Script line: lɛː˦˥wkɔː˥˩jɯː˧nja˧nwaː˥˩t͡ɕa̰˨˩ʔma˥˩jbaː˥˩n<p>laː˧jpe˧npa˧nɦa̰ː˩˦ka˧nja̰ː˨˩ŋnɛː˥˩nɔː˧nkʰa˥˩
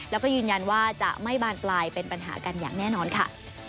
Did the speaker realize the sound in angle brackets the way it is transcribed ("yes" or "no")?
yes